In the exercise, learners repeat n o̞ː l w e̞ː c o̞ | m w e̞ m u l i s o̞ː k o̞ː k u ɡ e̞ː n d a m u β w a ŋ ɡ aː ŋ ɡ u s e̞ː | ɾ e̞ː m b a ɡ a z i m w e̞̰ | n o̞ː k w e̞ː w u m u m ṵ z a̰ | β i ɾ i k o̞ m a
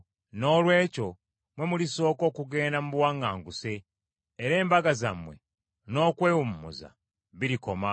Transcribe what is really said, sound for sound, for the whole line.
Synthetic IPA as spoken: n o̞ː l w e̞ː c o̞ | m w e̞ m u l i s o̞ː k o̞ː k u ɡ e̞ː n d a m u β w a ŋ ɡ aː ŋ ɡ u s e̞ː | ɾ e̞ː m b a ɡ a z a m w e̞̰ | n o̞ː k w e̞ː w u m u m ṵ z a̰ | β i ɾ i k o̞ m a